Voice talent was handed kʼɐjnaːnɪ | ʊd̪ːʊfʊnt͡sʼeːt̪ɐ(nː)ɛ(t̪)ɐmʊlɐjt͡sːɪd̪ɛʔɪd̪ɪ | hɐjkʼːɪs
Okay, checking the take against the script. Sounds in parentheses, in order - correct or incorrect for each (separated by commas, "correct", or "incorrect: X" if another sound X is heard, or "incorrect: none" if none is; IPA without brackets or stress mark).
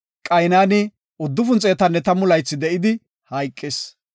correct, correct